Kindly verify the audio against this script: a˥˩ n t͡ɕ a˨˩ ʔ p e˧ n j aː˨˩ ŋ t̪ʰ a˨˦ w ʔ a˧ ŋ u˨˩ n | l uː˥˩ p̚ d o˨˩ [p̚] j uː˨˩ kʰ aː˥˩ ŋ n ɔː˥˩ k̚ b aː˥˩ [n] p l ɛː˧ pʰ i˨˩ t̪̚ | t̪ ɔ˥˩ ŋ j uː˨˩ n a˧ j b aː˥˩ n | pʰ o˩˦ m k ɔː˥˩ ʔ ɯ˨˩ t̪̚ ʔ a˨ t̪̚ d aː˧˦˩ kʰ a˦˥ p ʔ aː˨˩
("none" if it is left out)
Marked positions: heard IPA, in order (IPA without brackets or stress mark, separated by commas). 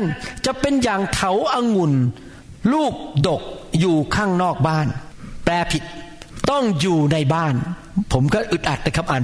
k̚, n